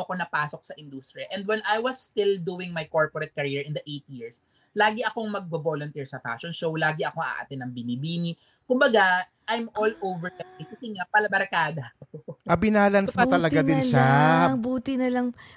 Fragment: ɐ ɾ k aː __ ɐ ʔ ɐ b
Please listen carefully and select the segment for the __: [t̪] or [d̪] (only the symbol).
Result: d̪